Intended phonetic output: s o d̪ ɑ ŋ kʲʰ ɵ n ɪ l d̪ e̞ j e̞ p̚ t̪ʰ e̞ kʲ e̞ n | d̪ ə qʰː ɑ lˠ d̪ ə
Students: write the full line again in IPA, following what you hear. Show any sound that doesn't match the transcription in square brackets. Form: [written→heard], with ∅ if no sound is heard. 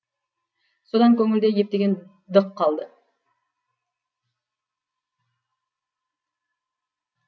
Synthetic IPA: s o d̪ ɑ ŋ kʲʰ ɵ [n→ŋ] ɪ l d̪ e̞ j e̞ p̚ [t̪ʰ→t̪] e̞ [kʲ→ɡʲ] e̞ n | d̪ ə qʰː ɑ lˠ d̪ ə